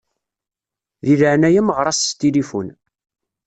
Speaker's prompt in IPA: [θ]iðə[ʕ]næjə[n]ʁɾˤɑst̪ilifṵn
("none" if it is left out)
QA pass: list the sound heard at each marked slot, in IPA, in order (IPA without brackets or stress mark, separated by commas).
ð, ʕ, m